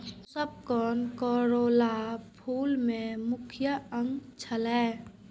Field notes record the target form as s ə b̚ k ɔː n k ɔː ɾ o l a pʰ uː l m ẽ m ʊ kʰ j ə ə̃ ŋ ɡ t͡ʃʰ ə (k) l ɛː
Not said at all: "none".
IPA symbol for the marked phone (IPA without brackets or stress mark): none